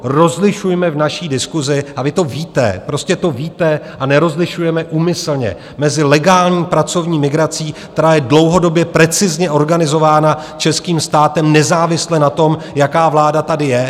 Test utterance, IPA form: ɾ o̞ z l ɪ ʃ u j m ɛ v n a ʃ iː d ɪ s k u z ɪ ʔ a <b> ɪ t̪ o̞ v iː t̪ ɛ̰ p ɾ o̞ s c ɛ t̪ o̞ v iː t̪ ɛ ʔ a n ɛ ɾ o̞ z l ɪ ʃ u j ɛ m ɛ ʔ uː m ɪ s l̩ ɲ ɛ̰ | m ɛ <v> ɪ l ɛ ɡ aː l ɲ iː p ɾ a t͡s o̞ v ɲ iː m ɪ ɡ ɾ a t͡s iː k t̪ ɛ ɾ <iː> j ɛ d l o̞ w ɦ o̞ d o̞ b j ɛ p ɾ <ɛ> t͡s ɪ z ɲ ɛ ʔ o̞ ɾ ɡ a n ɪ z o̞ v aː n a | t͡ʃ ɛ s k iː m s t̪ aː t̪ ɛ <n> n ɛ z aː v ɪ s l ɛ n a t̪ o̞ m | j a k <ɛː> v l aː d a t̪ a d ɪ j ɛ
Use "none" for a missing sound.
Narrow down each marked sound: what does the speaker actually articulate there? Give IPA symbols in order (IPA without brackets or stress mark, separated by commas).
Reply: v, z, aː, ɛ, m, aː